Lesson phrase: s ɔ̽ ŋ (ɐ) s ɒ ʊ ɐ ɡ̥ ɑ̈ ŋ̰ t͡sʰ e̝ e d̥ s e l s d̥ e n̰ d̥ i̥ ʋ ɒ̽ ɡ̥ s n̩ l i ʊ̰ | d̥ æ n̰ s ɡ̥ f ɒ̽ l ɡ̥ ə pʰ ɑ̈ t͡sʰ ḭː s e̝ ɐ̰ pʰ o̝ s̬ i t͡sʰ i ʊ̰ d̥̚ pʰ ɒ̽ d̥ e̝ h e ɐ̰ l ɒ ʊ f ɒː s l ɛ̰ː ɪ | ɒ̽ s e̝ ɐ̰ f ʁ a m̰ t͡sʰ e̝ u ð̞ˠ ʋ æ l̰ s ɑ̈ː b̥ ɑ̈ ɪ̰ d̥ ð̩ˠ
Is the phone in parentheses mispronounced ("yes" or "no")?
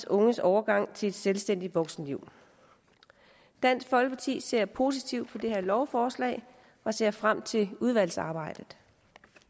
yes